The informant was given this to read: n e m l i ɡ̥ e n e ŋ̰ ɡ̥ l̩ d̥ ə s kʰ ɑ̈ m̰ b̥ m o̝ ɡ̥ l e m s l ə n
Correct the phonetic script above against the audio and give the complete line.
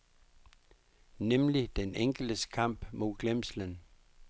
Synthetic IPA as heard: n e m l i d̥ e n e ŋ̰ ɡ̥ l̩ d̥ ə s kʰ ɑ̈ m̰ b̥ m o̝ ɡ̥ l e m s l ə n